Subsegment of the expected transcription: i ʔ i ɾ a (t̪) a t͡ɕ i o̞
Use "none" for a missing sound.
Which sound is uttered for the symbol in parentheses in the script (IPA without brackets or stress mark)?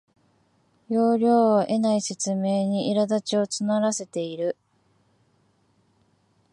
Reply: d̪